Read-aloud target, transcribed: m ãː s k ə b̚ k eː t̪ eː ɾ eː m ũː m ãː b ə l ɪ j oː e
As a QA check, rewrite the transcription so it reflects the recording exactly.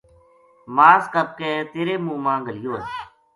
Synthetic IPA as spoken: m aː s k ə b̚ k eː t̪ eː ɾ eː m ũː m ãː ɡ ə l ɪ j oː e